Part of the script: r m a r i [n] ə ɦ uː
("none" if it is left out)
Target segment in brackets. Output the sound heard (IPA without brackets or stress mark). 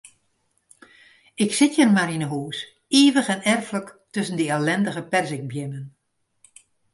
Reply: n